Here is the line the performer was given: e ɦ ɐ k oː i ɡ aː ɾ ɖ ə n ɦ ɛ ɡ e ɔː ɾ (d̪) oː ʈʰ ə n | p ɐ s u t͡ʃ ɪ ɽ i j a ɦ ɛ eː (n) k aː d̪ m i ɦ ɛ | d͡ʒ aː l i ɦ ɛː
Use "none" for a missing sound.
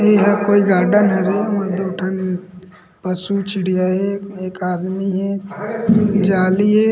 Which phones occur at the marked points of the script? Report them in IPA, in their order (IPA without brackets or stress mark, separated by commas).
d̪, none